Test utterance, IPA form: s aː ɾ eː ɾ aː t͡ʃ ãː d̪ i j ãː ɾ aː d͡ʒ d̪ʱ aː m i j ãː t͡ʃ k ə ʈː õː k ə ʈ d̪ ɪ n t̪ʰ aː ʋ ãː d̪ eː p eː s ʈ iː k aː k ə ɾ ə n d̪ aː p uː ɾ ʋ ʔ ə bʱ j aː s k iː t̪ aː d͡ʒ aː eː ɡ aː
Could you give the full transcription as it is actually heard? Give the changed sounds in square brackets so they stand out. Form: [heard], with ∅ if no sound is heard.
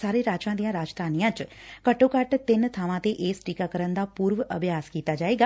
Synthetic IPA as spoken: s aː ɾ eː ɾ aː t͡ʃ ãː d̪ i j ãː ɾ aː d͡ʒ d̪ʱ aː [n] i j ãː t͡ʃ k ə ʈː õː k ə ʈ [t̪] ɪ n t̪ʰ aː ʋ ãː [t̪] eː [ʔ] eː s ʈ iː k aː k ə ɾ ə n d̪ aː p uː ɾ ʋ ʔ ə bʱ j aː s k iː t̪ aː d͡ʒ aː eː ɡ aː

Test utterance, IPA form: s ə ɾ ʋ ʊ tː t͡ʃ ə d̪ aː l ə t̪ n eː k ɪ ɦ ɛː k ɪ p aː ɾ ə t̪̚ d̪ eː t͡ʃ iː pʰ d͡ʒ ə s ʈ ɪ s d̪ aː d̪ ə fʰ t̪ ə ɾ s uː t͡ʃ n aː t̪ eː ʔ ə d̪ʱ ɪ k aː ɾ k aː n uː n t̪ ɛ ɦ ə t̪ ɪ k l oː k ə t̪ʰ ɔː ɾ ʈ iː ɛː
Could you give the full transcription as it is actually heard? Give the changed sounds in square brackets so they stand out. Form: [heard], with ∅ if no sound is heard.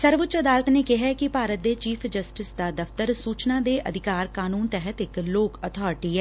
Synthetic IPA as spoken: s ə ɾ ʋ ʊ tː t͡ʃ ə d̪ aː l ə t̪ n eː k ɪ ɦ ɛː k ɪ p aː ɾ ə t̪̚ d̪ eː t͡ʃ iː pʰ d͡ʒ ə s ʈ ɪ s d̪ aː d̪ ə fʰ t̪ ə ɾ s uː t͡ʃ n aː [d̪] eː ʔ ə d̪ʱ ɪ k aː ɾ k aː n uː n t̪ ɛ ɦ ə t̪ ɪ k l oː k ə t̪ʰ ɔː ɾ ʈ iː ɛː

